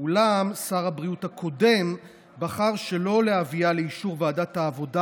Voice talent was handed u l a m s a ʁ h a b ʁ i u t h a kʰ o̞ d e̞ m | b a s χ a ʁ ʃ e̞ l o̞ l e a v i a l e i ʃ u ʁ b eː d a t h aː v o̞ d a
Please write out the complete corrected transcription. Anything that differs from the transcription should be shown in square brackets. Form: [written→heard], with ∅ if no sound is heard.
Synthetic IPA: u l a m s a ʁ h a b ʁ i u t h a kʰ o̞ d e̞ m | b a [s→∅] χ a ʁ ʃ e̞ l o̞ l e a v i a l e i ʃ u ʁ [b→v] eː d a t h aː v o̞ d a